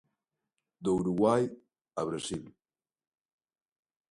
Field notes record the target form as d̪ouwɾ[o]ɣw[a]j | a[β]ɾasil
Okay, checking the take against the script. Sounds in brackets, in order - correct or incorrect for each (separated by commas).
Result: incorrect, correct, correct